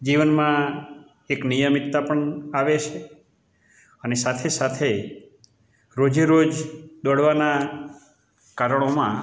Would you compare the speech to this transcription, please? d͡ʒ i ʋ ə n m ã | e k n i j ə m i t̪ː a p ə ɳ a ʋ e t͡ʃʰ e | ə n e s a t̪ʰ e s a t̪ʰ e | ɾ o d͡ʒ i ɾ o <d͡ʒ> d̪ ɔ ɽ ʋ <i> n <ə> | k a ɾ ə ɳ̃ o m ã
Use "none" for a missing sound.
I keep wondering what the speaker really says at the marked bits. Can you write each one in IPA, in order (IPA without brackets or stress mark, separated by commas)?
d͡ʒ, a, a